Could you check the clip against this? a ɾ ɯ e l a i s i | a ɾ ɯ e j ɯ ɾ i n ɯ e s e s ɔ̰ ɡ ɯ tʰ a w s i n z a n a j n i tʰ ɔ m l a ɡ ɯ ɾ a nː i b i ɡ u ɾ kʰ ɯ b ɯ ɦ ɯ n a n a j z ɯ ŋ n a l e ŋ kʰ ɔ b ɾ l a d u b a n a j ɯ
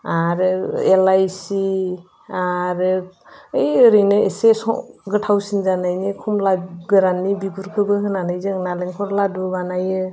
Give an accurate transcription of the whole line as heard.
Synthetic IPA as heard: a ɾ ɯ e l a j s i | a ɾ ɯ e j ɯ ɾ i n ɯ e s e s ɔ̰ ɡ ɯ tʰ a w s i n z a n a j n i kʰ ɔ m l a ɡ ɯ ɾ a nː i b i ɡ u ɾ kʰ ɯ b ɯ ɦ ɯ n a n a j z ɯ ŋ n a l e ŋ kʰ ɔ ɾ l a d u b a n a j ɯ